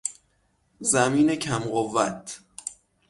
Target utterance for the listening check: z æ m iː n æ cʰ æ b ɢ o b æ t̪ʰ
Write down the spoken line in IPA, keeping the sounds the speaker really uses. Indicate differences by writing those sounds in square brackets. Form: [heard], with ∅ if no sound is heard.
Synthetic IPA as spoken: z æ m iː n [e] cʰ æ [m] ɢ o [v] æ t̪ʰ